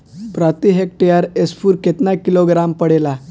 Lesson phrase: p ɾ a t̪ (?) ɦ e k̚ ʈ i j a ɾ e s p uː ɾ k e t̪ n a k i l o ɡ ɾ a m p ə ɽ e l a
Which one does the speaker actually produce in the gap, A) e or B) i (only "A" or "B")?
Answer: B